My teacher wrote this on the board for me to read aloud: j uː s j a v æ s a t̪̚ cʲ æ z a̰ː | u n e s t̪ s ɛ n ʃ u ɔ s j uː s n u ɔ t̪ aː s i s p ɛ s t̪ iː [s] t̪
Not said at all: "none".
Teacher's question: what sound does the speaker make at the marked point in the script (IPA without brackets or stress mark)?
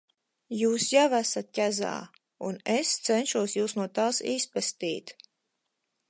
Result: none